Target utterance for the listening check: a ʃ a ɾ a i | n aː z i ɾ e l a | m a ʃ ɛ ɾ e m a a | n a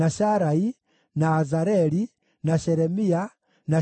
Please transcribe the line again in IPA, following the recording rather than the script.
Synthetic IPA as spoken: a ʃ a ɾ a i | n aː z a ɾ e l i | n a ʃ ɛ ɾ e m i a | n a